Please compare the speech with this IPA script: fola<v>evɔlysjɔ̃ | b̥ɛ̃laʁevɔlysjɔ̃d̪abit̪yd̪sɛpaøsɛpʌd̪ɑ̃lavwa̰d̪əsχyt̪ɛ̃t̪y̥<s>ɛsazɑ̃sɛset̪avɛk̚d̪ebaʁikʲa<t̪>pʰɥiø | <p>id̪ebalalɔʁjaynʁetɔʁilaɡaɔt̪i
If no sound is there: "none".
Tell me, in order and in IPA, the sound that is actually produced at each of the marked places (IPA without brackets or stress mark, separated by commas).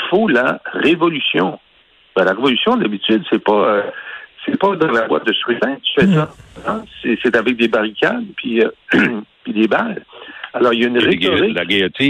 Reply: ʁ, f, d̪, p